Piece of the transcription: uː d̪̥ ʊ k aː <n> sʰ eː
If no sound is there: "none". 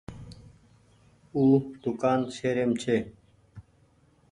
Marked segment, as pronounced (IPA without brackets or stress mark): n